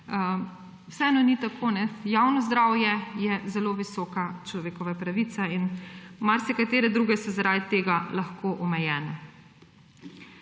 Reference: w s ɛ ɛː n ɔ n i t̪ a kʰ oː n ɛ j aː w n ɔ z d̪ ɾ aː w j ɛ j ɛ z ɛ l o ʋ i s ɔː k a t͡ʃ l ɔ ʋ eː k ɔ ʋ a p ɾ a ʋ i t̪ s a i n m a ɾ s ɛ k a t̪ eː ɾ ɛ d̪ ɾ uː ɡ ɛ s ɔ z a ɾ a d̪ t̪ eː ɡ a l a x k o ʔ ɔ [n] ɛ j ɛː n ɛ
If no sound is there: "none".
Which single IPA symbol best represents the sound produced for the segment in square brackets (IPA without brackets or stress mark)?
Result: m